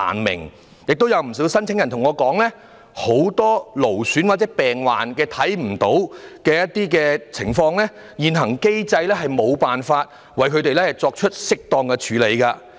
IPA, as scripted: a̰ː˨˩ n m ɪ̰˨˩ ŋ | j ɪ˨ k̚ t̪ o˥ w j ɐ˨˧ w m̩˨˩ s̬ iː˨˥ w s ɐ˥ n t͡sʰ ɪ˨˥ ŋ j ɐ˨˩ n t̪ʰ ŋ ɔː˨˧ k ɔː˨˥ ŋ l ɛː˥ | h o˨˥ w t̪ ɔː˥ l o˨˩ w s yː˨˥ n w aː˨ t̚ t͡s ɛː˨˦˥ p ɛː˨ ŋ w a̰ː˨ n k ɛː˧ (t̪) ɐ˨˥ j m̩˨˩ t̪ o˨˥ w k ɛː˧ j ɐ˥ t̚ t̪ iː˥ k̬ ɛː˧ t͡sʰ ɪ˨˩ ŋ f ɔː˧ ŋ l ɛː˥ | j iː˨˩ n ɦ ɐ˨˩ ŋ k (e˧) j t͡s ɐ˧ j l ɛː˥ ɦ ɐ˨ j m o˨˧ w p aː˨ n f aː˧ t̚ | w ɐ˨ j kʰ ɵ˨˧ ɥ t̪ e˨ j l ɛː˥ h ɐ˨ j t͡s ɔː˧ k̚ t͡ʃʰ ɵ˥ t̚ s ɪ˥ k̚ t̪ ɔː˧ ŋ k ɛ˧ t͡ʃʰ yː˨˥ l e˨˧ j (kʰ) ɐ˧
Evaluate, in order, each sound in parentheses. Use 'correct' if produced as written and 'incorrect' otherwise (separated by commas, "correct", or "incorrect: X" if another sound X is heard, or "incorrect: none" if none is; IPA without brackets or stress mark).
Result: incorrect: t̪ʰ, incorrect: e˥, incorrect: k